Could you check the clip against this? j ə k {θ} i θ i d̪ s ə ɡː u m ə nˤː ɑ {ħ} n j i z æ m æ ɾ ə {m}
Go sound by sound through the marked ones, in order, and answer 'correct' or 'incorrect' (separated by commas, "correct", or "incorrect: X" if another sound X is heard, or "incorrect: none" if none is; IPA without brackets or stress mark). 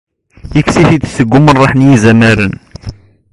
incorrect: s, correct, incorrect: n